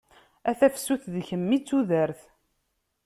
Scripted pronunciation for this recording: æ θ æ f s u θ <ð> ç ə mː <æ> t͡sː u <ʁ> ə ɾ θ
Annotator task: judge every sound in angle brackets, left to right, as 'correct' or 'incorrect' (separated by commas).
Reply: correct, incorrect, incorrect